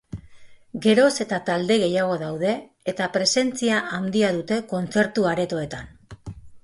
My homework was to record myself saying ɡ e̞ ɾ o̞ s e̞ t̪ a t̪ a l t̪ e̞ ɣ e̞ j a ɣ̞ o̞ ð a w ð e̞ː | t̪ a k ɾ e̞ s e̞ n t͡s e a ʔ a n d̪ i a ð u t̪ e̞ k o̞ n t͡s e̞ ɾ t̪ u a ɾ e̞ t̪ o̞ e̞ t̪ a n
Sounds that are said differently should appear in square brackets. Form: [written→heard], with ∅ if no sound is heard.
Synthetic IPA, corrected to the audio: ɡ e̞ ɾ o̞ s e̞ t̪ a t̪ a l [t̪→d̪] e̞ ɣ e̞ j a ɣ̞ o̞ ð a w ð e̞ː | t̪ a [k→p] ɾ e̞ s e̞ n t͡s [e→i] a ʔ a n d̪ i a ð u t̪ e̞ k o̞ n t͡s e̞ ɾ t̪ u a ɾ e̞ t̪ o̞ e̞ t̪ a n

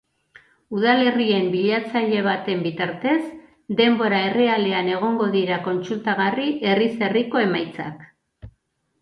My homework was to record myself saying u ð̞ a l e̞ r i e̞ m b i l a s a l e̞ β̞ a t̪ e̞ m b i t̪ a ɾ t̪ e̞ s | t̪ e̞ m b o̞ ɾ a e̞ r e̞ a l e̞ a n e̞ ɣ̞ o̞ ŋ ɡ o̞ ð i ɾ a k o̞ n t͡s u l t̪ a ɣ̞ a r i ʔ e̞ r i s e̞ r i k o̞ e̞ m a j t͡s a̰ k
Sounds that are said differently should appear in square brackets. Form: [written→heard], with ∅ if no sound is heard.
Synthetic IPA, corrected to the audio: u ð̞ a l e̞ r i e̞ m b i [l→ʎ] a [s→t͡s] a [l→ʎ] e̞ β̞ a t̪ e̞ m b i t̪ a ɾ t̪ e̞ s | [t̪→d̪] e̞ m b o̞ ɾ a e̞ r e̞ a l e̞ a n e̞ ɣ̞ o̞ ŋ ɡ o̞ ð i ɾ a k o̞ n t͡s u l t̪ a ɣ̞ a r i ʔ e̞ r i s e̞ r i k o̞ e̞ m a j t͡s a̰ k

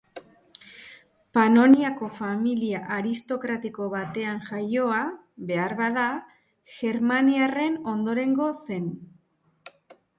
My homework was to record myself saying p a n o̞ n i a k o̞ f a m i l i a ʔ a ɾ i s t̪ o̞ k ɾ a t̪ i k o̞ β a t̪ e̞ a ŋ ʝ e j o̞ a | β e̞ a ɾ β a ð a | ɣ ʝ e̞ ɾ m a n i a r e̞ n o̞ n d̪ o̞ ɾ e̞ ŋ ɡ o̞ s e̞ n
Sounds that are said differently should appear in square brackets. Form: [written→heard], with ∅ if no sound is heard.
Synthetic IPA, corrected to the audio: p a n o̞ n i a k o̞ f a m i l i a ʔ a ɾ i s t̪ o̞ k ɾ a t̪ i k o̞ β a t̪ e̞ a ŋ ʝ [e→a] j o̞ a | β e̞ a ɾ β a ð a | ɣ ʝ e̞ ɾ m a n i a r e̞ n o̞ n d̪ o̞ ɾ e̞ ŋ ɡ o̞ s e̞ n

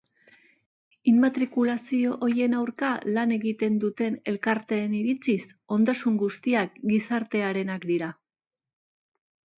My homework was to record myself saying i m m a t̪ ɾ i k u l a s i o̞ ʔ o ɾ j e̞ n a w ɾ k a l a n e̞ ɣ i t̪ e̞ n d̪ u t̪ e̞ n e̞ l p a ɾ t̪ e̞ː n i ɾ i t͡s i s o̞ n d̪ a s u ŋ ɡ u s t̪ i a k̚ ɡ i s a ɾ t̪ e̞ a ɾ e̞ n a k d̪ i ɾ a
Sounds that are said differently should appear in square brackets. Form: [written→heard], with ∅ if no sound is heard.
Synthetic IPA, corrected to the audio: i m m a t̪ ɾ i k u l a s i o̞ ʔ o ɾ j e̞ n a w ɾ k a l a n e̞ ɣ i t̪ e̞ n d̪ u t̪ e̞ n e̞ l [p→k] a ɾ t̪ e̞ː n i ɾ i t͡s i s o̞ n d̪ a s u ŋ ɡ u s t̪ i a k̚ ɡ i s a ɾ t̪ e̞ a ɾ e̞ n a k d̪ i ɾ a

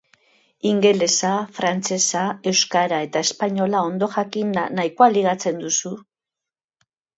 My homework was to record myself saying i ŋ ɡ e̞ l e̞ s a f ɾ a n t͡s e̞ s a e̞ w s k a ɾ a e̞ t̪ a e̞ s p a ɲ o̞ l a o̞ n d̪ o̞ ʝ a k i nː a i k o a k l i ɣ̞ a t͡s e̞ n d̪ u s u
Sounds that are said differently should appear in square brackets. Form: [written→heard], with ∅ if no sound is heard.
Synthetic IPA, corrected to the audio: i ŋ ɡ e̞ l e̞ s a f ɾ a n t͡s e̞ s a e̞ w s k a ɾ a e̞ t̪ a e̞ s p a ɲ o̞ l a o̞ n d̪ o̞ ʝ a k i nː a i k o a [k→∅] l i ɣ̞ a t͡s e̞ n d̪ u s u

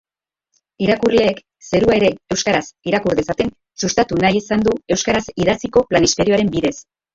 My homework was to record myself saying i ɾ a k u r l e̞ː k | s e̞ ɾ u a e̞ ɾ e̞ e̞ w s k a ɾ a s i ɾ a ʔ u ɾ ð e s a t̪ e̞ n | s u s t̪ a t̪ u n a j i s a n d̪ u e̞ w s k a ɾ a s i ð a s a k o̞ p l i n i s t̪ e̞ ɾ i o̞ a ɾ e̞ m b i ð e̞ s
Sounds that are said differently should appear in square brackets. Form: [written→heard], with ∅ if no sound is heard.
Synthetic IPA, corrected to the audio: i ɾ a k u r l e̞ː k | s e̞ ɾ u a e̞ ɾ e̞ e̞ w s k a ɾ a s i ɾ a [ʔ→k] u ɾ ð e s a t̪ e̞ n | s u s t̪ a t̪ u n a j i s a n d̪ u e̞ w s k a ɾ a s i ð a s [a→i] k o̞ p l [i→a] n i s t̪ e̞ ɾ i o̞ a ɾ e̞ m b i ð e̞ s

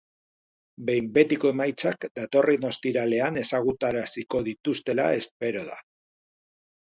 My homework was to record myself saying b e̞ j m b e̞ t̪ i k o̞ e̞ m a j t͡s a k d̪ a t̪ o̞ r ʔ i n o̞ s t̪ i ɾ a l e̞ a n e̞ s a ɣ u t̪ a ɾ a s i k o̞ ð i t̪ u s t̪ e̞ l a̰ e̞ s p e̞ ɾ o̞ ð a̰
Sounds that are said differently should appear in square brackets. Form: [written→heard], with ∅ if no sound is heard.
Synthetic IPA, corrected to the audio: b e̞ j m b e̞ t̪ i k o̞ e̞ m a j t͡s a k d̪ a t̪ o̞ r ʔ i n o̞ s t̪ i ɾ a l e̞ a n e̞ s a ɣ u t̪ a ɾ a s i k o̞ ð i t̪ u s t̪ e̞ l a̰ e̞ s p e̞ ɾ o̞ ð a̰

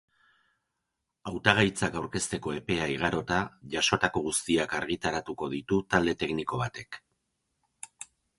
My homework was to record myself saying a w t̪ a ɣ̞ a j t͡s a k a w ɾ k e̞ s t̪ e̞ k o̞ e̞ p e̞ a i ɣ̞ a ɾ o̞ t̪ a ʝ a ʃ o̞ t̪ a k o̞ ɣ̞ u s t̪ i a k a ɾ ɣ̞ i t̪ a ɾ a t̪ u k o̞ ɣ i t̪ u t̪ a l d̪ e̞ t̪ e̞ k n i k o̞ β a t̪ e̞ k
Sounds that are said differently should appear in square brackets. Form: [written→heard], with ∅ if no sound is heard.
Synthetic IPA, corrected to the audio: a w t̪ a ɣ̞ a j t͡s a k a w ɾ k e̞ s t̪ e̞ k o̞ e̞ p e̞ a i ɣ̞ a ɾ o̞ t̪ a ʝ a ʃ o̞ t̪ a k o̞ ɣ̞ u s t̪ i a k a ɾ ɣ̞ i t̪ a ɾ a t̪ u k o̞ [ɣ→ð] i t̪ u t̪ a l d̪ e̞ t̪ e̞ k n i k o̞ β a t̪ e̞ k

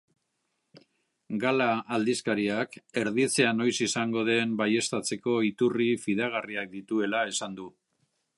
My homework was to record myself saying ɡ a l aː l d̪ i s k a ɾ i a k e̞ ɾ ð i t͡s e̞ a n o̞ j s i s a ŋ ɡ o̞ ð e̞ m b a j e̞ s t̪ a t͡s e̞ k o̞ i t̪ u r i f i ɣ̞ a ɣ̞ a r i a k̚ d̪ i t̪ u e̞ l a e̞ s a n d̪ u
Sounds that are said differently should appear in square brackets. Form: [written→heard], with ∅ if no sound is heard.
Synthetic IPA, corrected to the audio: ɡ a l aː l d̪ i s k a ɾ i a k e̞ ɾ ð i t͡s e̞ a n o̞ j s i s a ŋ ɡ o̞ ð e̞ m b a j e̞ s t̪ a t͡s e̞ k o̞ i t̪ u r i f i [ɣ̞→ð̞] a ɣ̞ a r i a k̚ d̪ i t̪ u e̞ l a e̞ s a n d̪ u

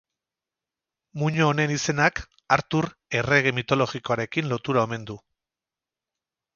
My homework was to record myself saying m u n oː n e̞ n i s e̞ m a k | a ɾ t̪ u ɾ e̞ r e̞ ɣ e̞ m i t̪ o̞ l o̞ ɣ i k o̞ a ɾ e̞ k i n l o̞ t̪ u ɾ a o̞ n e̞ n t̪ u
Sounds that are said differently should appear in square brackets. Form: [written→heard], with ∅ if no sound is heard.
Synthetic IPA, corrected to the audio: m u [n→ɲ] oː n e̞ n i s e̞ [m→n] a k | a ɾ t̪ u ɾ e̞ r e̞ ɣ e̞ m i t̪ o̞ l o̞ ɣ i k o̞ a ɾ e̞ k i n l o̞ t̪ u ɾ a o̞ [n→m] e̞ n [t̪→d̪] u

